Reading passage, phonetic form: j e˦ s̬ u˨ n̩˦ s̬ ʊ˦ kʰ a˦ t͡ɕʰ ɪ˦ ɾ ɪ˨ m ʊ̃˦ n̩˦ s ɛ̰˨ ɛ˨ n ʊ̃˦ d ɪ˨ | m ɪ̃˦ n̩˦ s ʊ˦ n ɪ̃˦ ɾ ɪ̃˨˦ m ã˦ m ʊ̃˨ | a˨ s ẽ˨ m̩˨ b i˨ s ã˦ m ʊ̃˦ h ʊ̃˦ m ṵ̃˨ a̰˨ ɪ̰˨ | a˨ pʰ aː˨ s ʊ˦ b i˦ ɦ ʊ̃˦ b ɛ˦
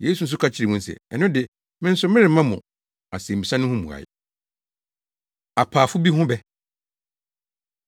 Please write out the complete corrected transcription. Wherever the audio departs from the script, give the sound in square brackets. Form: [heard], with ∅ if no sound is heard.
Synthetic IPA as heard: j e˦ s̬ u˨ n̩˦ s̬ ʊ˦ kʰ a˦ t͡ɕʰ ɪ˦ ɾ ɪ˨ m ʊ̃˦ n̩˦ s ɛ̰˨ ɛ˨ n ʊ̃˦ d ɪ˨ | m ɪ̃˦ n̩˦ s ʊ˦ [m] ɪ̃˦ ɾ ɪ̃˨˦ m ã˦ m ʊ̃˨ | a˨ s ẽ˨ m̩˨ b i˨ s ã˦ [n] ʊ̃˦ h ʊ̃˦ m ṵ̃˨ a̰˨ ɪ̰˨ | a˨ pʰ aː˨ [f] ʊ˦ b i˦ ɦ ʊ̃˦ b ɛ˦